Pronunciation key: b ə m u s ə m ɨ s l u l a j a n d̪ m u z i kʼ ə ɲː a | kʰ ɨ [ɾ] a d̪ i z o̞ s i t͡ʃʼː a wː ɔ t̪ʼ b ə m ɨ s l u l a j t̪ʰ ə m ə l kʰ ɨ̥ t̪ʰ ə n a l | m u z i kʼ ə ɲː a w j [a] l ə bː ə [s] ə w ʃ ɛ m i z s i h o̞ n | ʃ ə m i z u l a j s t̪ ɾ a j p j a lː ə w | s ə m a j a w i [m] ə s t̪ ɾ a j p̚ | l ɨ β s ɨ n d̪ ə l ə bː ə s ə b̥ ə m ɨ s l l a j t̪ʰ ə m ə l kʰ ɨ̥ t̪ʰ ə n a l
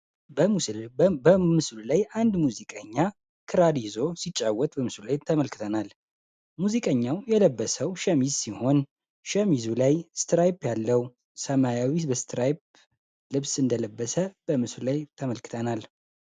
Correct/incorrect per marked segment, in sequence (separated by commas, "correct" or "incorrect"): correct, incorrect, correct, incorrect